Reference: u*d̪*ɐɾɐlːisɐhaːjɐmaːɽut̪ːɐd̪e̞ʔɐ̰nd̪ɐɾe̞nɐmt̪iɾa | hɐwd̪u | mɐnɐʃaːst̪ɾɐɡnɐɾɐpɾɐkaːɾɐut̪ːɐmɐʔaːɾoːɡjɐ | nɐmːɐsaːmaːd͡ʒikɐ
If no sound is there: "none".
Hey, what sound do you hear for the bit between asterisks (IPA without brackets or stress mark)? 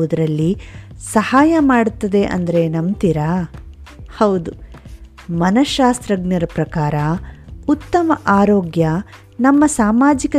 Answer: d̪